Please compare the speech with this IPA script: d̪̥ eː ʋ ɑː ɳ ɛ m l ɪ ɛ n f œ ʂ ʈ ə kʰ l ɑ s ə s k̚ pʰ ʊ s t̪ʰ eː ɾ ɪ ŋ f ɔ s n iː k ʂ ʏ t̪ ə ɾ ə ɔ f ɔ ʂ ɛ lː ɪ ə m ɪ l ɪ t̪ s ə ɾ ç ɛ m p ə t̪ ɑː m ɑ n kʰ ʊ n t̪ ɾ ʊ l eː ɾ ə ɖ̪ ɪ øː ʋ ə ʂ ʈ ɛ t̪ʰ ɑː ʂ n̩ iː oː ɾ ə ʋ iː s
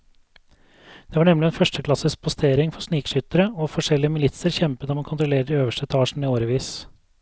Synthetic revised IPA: d̪̥ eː ʋ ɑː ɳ ɛ m l ɪ ɛ n f œ ʂ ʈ ə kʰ l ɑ s ə s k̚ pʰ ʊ s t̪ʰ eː ɾ ɪ ŋ f ɔ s n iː k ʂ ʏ t̪ ə ɾ ə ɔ f ɔ ʂ ɛ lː ɪ ə m ɪ l ɪ t̪ s ə ɾ ç ɛ m p ə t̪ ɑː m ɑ n kʰ ʊ n t̪ ɾ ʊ l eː ɾ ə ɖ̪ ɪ øː ʋ ə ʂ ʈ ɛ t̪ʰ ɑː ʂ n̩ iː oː ɾ ə ʋ iː s